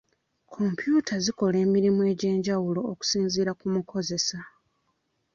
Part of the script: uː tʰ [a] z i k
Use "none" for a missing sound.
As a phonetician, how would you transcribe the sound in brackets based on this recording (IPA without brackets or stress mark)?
a